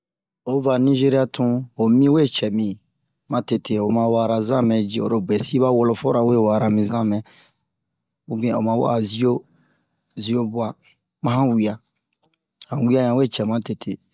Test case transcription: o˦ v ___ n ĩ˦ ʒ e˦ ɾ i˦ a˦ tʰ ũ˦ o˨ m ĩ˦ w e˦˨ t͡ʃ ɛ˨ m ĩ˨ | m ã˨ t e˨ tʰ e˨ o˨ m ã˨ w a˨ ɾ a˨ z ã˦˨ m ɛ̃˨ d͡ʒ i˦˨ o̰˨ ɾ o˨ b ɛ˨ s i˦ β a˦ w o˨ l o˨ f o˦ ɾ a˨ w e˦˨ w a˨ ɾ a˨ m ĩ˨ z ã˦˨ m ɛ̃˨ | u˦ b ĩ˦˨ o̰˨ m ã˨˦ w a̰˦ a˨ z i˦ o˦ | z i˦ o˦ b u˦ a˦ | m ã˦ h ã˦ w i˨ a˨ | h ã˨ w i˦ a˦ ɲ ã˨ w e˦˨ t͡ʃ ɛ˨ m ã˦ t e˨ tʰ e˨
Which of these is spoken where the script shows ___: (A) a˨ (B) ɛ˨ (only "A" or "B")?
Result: A